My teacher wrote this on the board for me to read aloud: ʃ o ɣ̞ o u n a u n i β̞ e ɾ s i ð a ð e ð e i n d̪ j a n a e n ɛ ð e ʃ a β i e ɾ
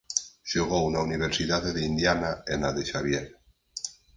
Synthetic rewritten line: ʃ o ɣ̞ o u n a u n i β̞ e ɾ s i ð a ð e ð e i n d̪ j a n a e n a ð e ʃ a β j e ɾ